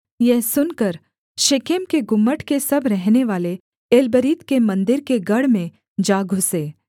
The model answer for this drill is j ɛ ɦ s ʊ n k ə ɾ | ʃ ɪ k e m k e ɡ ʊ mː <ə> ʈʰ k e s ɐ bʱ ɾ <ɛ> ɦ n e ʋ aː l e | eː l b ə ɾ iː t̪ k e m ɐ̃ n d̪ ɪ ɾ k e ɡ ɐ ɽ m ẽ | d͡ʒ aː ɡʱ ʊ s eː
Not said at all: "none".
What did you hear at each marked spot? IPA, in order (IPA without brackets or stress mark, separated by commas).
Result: ə, ɛ